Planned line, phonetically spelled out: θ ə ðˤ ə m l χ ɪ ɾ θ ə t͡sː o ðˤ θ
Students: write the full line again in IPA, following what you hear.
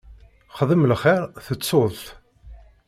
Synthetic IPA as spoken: χ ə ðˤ ə m l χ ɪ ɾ θ ə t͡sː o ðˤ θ